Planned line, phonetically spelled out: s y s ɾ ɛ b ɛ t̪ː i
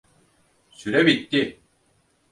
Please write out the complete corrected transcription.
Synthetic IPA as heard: s y ɾ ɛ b i t̪ː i